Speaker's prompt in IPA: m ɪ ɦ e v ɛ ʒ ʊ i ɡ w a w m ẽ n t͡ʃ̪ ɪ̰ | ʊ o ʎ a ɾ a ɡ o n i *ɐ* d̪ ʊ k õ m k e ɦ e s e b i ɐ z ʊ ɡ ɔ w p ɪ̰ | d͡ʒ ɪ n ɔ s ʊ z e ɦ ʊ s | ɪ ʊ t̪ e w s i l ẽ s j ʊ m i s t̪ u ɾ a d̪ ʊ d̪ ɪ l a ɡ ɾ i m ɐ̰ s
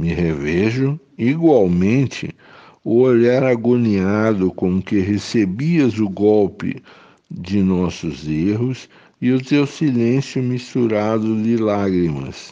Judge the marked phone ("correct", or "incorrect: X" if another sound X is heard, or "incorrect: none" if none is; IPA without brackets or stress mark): incorrect: a